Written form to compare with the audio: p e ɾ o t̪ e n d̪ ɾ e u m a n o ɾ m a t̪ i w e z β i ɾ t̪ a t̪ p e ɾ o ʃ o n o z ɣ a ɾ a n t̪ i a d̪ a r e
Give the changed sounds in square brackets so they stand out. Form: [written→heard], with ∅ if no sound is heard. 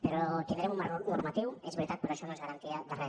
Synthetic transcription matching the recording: p e ɾ o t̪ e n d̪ ɾ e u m a n o ɾ m a t̪ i w e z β [i→e] ɾ t̪ a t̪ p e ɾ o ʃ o n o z ɣ a ɾ a n t̪ i a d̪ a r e